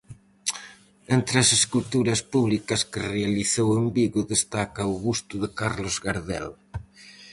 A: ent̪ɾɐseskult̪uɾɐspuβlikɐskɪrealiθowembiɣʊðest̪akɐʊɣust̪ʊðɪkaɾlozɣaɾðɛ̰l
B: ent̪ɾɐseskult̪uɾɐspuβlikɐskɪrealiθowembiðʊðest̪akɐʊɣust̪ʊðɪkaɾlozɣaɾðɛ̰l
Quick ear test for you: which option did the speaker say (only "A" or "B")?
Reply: A